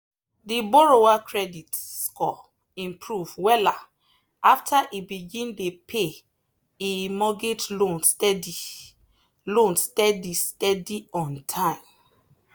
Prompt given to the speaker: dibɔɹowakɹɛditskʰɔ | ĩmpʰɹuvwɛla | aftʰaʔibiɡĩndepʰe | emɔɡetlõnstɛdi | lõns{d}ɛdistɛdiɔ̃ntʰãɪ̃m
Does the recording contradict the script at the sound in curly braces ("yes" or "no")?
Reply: yes